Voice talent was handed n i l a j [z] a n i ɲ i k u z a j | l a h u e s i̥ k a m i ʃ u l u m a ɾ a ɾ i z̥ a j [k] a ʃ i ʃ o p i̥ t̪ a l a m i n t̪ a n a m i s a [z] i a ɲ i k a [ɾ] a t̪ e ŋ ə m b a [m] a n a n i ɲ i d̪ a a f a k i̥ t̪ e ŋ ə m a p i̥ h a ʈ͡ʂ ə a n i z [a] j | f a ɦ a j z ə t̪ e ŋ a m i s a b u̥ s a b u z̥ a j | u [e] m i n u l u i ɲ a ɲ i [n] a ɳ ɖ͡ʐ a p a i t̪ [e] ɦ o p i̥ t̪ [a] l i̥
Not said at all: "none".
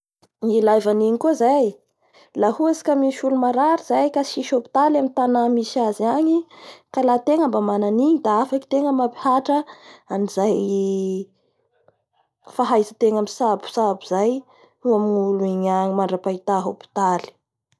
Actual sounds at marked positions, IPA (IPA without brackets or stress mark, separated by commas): v, k, z, l, m, a, a, m, a, a